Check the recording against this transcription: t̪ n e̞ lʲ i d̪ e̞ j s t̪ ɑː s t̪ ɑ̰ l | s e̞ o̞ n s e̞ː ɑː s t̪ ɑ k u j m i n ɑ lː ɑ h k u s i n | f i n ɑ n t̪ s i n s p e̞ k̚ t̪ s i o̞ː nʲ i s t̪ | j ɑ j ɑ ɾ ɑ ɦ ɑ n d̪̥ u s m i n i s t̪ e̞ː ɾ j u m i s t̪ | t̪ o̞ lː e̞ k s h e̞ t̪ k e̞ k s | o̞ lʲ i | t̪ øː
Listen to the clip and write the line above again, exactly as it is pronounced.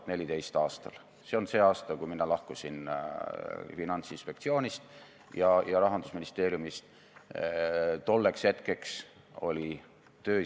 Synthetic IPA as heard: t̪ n e̞ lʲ i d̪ e̞ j s t̪ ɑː s t̪ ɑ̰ l | s e̞ o̞ n s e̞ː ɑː s t̪ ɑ k u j m i n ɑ l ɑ h k u s i n | f i n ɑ n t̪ s i n s p e̞ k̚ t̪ s i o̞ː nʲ i s t̪ | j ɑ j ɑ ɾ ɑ ɦ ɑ n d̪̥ u s m i n i s t̪ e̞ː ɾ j u m i s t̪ | t̪ o̞ lː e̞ k s h e̞ t̪ k e̞ k s | o̞ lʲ i | t̪ øː